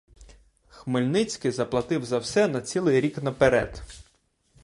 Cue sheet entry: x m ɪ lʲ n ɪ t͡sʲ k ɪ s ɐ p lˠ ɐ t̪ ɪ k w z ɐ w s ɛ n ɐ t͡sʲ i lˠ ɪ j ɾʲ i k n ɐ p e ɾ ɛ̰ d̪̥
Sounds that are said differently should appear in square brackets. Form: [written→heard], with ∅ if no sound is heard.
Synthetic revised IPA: x m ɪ lʲ n ɪ t͡sʲ k ɪ [s→z] ɐ p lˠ ɐ t̪ ɪ [k→∅] w z ɐ w s ɛ n ɐ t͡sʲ i lˠ ɪ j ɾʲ i k n ɐ p e ɾ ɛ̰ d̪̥